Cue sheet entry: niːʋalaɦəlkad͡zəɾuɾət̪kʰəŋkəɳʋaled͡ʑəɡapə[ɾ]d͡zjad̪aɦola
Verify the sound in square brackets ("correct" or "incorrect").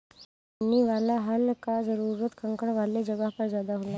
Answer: correct